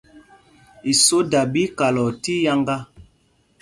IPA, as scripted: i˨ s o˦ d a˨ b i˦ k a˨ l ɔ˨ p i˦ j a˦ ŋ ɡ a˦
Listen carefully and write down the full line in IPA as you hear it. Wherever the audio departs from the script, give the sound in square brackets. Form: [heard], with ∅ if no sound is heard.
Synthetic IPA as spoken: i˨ s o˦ d a˨ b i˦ k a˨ l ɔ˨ [t] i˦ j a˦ ŋ ɡ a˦